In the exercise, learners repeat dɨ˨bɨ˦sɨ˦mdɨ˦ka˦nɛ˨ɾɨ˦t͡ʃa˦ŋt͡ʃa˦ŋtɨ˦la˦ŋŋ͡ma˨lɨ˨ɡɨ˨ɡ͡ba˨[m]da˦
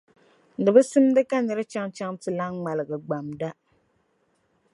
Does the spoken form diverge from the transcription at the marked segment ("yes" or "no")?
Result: no